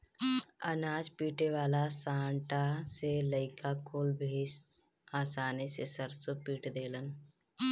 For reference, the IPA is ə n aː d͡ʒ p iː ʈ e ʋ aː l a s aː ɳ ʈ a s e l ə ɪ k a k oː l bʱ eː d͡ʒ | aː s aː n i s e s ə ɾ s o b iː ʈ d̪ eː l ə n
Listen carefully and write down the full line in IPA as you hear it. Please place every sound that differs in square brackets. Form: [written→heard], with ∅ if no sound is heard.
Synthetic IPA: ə n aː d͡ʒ p iː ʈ e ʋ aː l a s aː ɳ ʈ a s e l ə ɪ k a k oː l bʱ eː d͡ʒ | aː s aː n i s e s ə ɾ s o [b→p] iː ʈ d̪ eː l ə n